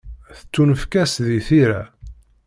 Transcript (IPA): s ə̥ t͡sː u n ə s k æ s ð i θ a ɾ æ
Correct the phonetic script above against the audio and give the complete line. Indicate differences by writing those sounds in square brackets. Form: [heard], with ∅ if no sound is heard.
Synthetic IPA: [θ] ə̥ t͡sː u n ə [f] k æ s ð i θ [i] ɾ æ